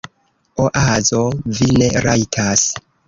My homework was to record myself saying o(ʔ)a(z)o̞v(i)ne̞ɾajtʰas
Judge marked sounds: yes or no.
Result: yes, yes, yes

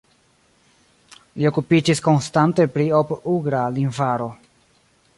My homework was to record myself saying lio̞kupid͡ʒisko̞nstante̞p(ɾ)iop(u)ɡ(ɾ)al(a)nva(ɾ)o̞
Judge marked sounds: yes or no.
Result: yes, yes, yes, no, yes

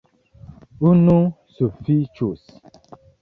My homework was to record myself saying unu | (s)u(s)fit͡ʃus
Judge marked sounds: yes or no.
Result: yes, no

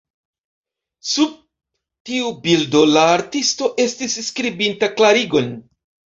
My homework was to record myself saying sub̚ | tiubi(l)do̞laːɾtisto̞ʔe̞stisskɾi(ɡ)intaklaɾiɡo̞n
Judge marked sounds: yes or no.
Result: yes, no

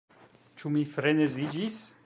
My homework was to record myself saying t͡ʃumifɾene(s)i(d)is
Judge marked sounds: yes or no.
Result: no, no

